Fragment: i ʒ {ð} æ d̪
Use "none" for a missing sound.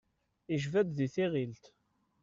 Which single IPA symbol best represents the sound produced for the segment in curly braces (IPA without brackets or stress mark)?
v